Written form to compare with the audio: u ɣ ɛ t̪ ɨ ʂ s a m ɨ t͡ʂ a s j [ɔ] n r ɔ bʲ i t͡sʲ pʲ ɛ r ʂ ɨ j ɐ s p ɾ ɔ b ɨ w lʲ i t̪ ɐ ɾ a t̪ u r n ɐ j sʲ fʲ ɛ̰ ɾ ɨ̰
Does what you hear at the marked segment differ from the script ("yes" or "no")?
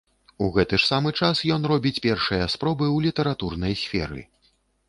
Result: no